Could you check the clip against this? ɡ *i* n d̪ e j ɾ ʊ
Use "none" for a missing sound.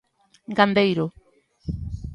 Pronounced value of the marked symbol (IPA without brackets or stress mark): a